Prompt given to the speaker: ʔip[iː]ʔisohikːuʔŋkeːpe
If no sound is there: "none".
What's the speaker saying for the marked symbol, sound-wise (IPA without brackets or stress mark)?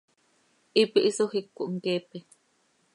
i